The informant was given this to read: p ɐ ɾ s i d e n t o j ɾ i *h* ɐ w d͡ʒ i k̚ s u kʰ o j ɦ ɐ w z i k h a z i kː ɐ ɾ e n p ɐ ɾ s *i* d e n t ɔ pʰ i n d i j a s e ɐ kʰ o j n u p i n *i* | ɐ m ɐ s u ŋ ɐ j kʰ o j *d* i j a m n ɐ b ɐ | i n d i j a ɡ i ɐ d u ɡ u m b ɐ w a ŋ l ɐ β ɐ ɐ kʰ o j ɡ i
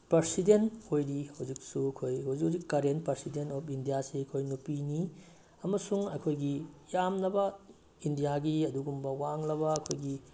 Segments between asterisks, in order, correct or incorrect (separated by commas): correct, correct, correct, incorrect